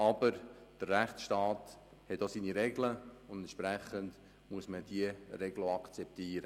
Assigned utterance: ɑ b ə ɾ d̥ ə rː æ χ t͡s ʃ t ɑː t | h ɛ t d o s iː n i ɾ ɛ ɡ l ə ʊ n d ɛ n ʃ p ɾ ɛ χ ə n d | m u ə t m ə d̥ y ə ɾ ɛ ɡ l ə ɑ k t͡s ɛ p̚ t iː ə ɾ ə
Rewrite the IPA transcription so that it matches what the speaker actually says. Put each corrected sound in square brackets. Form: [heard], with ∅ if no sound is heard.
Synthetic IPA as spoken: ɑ b ə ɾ d̥ ə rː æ χ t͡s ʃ t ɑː t | h ɛ t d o s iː n i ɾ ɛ ɡ l ə ʊ n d ɛ n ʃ p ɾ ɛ χ ə n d | m u ə [s] m ə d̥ [i] ə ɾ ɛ ɡ l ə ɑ k t͡s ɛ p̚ t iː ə ɾ ə